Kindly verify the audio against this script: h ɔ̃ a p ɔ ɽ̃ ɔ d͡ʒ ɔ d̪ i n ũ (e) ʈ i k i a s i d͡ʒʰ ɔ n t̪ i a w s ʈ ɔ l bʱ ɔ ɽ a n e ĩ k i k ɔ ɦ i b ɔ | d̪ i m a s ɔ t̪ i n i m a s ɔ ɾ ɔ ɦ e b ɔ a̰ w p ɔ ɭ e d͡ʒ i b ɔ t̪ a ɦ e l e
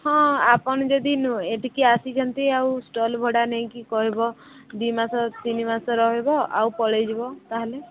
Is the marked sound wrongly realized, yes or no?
no